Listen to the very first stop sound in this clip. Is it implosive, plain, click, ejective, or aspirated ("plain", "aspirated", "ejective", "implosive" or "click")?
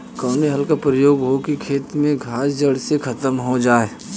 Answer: plain